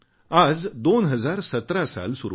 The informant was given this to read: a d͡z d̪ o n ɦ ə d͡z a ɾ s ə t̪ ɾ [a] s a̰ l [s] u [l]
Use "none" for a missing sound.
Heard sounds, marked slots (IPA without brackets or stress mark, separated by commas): a, s, ɾ